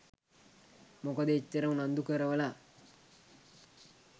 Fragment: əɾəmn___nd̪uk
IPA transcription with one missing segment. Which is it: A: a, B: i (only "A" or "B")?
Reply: A